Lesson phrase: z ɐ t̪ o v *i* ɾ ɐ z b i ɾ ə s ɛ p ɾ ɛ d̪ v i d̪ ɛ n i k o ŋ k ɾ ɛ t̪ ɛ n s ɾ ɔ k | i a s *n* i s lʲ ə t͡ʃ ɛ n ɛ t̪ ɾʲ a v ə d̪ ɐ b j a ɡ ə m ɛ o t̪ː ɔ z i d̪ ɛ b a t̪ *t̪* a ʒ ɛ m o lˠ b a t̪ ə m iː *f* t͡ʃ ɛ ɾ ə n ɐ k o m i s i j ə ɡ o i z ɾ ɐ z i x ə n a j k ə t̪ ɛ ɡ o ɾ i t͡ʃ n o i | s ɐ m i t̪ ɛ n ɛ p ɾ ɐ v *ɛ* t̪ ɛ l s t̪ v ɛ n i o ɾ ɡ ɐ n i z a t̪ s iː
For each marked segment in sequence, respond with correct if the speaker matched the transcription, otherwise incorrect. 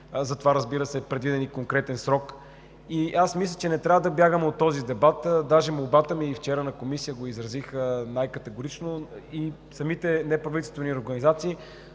incorrect: a, incorrect: m, incorrect: d̪, correct, incorrect: i

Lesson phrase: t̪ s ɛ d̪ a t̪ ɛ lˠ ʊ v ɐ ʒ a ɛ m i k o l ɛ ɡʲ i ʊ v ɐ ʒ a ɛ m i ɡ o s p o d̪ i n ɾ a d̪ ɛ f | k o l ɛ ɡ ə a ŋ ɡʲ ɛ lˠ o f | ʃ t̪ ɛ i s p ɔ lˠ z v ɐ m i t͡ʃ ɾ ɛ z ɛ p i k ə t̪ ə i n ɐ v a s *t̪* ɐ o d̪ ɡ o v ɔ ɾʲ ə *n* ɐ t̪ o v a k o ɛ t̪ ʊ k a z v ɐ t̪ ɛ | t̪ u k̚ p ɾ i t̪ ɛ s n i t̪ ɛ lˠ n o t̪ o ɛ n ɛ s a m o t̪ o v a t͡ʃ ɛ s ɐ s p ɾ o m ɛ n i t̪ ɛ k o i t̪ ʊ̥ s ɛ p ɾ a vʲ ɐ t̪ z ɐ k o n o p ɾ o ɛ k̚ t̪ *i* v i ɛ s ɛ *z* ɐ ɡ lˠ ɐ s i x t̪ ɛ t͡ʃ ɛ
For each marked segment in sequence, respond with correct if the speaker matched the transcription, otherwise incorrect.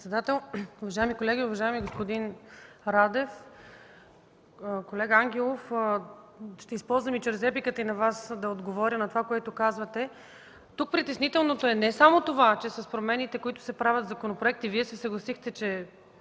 incorrect: d̪, correct, correct, incorrect: s

